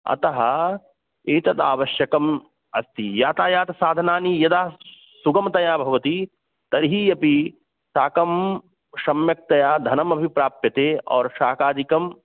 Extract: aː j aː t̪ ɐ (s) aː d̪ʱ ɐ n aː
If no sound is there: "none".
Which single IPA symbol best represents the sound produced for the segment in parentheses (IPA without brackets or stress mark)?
s